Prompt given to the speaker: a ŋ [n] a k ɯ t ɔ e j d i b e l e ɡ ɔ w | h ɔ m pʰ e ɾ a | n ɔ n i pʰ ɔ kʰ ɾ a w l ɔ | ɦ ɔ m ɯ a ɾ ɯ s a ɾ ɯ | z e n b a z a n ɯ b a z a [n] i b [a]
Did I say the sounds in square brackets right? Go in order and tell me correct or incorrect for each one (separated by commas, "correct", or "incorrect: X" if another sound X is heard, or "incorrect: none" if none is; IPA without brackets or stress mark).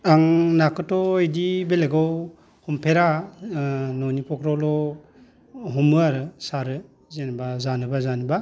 correct, correct, correct